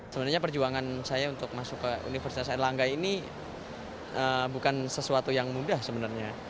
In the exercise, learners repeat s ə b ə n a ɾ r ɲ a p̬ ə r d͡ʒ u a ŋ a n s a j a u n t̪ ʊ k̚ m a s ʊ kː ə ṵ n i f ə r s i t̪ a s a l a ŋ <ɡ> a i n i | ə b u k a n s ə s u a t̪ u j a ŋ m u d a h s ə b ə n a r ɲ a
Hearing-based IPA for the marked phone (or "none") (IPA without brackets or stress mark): ɡ